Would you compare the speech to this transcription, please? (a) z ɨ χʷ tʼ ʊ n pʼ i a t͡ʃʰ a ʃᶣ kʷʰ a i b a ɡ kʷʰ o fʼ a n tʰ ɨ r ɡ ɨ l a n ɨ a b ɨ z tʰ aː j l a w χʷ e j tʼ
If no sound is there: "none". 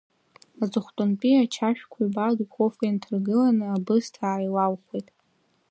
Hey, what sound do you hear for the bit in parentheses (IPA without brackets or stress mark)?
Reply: a